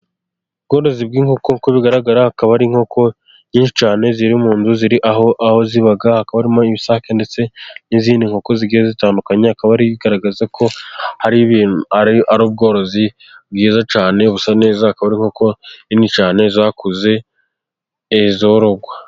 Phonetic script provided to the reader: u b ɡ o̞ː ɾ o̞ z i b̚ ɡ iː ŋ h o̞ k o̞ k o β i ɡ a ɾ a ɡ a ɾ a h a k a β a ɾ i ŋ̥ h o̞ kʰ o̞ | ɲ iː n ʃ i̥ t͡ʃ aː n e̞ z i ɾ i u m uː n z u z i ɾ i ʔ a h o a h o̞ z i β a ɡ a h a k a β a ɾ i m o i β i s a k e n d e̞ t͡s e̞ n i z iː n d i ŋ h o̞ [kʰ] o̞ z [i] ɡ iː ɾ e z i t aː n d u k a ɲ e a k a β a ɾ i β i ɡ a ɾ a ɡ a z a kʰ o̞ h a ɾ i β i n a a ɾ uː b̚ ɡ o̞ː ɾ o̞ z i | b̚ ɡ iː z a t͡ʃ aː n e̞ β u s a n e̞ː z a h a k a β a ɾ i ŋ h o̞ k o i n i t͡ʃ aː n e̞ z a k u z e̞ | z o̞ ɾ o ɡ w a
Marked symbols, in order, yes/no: no, yes

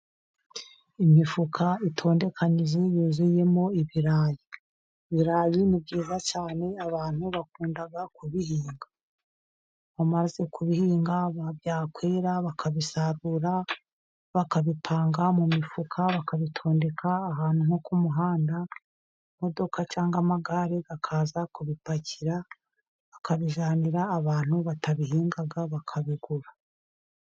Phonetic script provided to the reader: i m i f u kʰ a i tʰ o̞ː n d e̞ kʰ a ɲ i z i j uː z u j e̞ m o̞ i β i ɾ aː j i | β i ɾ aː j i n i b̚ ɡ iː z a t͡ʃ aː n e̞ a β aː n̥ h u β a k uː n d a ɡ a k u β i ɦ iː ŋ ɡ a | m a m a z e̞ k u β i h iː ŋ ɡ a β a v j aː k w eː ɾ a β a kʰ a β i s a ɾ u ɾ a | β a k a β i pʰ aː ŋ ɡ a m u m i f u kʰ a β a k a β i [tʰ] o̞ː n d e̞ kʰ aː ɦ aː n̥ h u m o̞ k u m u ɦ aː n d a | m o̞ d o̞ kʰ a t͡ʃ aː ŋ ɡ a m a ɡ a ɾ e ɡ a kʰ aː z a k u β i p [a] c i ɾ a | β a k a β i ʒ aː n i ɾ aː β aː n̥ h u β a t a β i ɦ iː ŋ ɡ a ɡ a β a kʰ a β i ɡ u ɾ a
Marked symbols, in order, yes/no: yes, yes

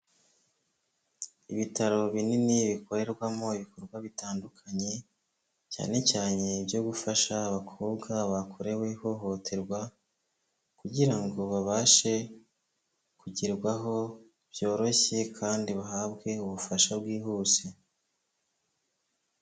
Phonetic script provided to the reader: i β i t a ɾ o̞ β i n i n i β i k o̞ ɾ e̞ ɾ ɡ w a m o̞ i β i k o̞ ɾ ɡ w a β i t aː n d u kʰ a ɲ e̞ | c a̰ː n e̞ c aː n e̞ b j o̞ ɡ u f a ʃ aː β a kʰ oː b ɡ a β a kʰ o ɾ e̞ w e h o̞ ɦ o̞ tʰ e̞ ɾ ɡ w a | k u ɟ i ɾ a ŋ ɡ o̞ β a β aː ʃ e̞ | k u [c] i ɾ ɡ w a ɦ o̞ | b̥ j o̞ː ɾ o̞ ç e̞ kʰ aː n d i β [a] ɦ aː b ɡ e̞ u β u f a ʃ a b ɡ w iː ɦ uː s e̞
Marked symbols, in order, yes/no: no, yes

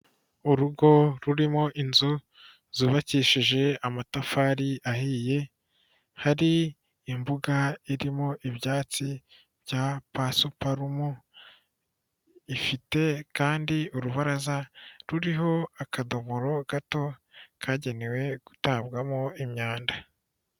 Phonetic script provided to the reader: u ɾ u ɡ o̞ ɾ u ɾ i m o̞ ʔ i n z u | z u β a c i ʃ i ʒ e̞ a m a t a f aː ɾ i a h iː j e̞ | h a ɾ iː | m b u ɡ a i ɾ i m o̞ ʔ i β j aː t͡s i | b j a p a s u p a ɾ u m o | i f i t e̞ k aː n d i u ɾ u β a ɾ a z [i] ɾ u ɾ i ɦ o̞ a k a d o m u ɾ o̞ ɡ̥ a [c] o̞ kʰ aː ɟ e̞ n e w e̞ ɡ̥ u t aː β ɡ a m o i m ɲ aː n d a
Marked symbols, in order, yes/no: no, no

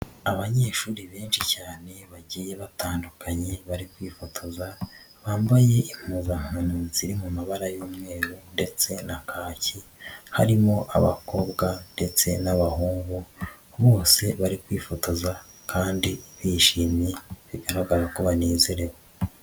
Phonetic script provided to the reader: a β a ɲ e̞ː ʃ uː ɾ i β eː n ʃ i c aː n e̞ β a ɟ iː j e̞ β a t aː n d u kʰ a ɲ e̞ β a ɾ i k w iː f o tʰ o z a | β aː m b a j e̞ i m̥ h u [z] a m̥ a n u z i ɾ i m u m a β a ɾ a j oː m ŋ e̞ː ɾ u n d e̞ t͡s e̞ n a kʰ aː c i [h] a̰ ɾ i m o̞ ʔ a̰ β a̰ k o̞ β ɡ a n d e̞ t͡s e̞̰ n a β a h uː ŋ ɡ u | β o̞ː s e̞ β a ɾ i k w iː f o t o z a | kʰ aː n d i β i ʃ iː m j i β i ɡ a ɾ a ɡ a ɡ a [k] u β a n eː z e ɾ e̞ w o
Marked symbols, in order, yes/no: yes, yes, yes

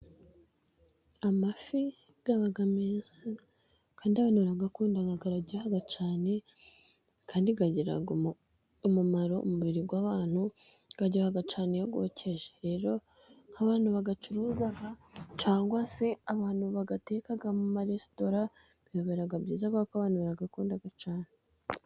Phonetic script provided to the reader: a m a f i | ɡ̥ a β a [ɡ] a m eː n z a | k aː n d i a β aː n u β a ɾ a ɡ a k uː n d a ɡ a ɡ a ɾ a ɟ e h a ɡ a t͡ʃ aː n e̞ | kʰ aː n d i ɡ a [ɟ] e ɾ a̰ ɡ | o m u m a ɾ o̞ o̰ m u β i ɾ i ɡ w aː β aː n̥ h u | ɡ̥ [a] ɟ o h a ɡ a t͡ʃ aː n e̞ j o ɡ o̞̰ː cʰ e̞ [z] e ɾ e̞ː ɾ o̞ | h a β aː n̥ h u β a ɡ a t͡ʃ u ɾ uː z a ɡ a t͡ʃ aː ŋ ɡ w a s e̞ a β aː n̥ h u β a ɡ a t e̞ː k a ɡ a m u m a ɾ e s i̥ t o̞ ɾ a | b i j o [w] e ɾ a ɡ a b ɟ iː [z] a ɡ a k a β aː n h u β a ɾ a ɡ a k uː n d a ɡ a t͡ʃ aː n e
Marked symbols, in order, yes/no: yes, yes, yes, no, no, yes

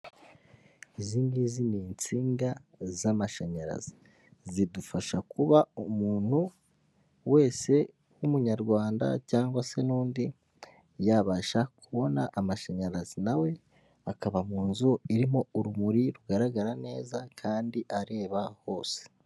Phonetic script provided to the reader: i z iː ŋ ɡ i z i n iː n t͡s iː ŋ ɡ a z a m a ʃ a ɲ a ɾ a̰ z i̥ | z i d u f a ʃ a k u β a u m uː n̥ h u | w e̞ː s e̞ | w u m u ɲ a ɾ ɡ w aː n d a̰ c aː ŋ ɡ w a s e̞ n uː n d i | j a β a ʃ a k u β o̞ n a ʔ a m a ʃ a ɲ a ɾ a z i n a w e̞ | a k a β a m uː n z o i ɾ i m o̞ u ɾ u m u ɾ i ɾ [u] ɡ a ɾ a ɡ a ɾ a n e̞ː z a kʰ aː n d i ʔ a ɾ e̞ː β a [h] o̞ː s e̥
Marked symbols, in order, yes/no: yes, yes

